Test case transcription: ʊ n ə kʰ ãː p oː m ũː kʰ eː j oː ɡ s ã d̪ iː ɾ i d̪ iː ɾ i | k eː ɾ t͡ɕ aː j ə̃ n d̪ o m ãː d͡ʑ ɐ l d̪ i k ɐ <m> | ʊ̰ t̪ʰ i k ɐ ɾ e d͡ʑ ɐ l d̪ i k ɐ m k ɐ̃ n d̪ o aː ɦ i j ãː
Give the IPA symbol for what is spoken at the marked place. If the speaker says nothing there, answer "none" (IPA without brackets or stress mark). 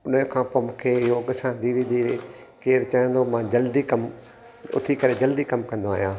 m